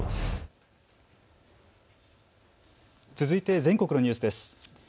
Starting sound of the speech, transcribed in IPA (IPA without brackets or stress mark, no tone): t͡s